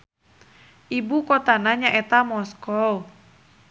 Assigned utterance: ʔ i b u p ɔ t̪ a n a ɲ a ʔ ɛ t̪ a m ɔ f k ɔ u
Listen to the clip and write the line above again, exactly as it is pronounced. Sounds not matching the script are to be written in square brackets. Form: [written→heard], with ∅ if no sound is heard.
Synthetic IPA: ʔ i b u [p→k] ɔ t̪ a n a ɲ a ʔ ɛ t̪ a m ɔ [f→s] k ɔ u